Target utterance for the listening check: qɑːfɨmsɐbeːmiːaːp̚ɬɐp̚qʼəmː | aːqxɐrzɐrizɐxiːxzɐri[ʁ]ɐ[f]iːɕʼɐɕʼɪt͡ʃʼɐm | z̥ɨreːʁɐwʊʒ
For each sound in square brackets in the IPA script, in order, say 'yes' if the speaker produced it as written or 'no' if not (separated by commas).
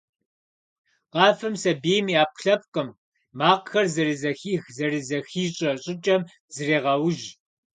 no, no